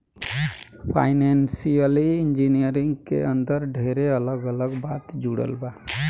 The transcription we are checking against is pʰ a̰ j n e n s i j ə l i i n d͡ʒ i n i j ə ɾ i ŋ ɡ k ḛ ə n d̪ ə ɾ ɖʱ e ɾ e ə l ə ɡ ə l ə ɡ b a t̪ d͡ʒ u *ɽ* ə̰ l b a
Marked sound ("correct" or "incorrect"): correct